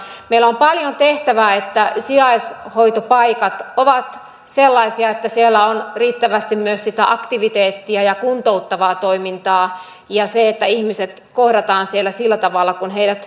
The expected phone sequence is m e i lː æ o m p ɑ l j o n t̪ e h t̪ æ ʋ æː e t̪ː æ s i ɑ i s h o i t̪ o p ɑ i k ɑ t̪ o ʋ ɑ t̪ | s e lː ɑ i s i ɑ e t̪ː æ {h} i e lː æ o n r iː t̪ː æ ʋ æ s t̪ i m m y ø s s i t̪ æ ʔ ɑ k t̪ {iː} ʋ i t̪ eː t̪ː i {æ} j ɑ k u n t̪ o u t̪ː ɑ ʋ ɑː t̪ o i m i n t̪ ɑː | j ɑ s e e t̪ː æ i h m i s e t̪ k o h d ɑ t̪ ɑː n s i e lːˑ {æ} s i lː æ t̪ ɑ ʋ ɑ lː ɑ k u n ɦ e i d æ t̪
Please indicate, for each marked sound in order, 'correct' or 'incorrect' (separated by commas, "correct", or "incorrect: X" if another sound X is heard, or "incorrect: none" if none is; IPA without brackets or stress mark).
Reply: incorrect: s, incorrect: i, correct, correct